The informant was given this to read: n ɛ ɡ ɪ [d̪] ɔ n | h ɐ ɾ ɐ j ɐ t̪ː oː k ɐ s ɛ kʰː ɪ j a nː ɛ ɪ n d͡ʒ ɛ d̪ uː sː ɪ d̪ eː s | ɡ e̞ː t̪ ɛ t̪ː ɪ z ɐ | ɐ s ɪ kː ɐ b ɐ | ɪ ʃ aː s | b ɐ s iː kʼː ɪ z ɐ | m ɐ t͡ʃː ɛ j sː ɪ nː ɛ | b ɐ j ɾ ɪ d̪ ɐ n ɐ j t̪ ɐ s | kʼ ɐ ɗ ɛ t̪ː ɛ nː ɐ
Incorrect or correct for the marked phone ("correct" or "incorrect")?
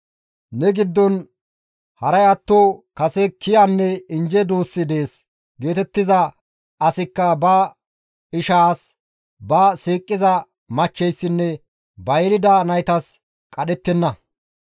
incorrect